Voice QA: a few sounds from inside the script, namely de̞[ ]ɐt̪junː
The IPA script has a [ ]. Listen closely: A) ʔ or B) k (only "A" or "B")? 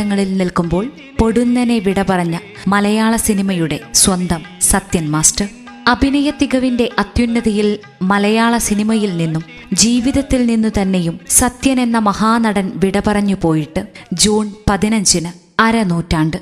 A